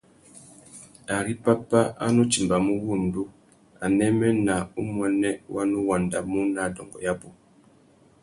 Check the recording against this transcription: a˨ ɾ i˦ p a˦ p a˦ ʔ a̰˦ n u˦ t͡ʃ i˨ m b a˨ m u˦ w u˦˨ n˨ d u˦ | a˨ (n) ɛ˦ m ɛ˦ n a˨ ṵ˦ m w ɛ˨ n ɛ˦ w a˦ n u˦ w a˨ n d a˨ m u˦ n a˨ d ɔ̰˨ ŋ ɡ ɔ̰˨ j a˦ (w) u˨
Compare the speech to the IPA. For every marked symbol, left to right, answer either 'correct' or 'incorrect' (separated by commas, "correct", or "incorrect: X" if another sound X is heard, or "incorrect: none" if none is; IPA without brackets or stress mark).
correct, incorrect: b